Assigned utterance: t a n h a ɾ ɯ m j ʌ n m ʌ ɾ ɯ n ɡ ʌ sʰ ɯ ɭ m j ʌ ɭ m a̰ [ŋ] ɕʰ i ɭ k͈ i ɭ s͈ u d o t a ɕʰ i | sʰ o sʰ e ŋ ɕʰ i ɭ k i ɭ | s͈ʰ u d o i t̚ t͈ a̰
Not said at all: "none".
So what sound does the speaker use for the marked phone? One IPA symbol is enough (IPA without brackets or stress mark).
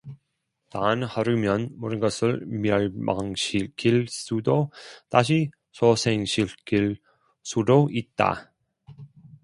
ŋ